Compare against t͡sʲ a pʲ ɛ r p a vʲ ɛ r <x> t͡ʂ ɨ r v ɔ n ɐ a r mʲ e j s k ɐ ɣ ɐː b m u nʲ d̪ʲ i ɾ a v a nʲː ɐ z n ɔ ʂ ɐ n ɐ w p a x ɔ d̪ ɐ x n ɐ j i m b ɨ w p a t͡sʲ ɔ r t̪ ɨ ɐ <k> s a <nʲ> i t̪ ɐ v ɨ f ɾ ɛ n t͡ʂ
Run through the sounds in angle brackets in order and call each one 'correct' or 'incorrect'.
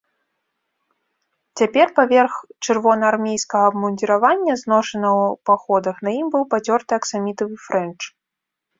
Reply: correct, correct, incorrect

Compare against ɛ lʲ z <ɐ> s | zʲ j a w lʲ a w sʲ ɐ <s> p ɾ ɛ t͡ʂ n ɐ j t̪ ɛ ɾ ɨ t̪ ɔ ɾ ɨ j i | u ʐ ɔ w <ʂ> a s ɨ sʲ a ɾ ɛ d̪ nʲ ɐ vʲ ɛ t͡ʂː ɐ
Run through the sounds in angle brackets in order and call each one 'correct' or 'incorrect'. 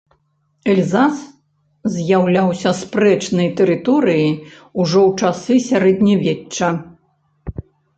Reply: incorrect, correct, incorrect

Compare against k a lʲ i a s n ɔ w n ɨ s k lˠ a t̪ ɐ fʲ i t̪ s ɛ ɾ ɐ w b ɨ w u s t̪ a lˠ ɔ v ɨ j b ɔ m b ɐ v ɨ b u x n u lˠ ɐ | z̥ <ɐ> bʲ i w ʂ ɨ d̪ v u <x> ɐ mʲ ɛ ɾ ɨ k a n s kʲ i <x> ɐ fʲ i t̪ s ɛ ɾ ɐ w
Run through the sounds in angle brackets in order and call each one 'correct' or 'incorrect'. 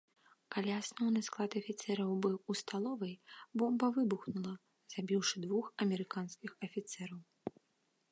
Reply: incorrect, correct, correct

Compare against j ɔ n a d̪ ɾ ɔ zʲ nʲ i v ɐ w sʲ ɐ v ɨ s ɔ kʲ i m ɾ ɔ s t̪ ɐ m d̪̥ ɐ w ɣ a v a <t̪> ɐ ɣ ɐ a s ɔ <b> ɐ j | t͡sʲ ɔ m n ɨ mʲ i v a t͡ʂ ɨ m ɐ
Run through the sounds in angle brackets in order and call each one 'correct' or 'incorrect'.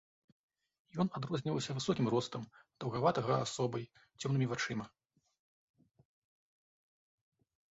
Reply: correct, correct

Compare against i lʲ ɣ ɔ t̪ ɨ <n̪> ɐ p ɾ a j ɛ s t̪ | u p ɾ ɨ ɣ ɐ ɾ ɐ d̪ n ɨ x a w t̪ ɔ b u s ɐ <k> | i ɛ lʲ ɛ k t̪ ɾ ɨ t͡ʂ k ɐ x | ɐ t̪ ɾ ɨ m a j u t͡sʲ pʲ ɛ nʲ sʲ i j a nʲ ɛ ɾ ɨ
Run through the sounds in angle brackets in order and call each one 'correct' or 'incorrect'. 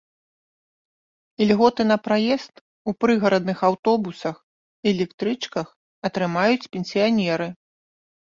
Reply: correct, incorrect

